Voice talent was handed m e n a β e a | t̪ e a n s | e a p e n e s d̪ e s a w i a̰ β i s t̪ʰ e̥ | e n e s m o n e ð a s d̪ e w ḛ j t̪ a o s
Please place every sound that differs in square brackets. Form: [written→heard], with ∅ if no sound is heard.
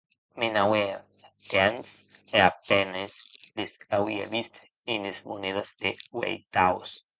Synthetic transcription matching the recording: m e n a [β→w] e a | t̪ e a n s | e a p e n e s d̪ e s a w i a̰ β i s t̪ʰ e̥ | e n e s m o n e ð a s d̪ e w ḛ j t̪ a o s